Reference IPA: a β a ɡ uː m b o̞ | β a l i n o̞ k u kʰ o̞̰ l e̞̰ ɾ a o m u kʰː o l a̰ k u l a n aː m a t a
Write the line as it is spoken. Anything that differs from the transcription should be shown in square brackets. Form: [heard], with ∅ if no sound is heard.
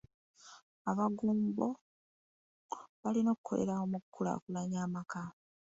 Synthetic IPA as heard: a β a ɡ uː m b o̞ | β a l i n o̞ k u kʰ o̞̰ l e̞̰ ɾ a o m u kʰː [u] l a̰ k u l a [ɲ] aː m a [k] a